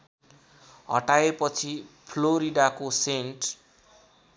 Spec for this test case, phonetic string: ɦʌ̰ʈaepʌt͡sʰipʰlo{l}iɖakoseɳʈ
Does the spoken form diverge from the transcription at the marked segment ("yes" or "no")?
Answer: yes